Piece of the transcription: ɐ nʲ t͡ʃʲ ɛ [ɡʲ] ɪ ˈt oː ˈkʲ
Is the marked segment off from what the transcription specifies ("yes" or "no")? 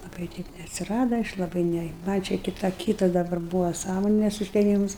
yes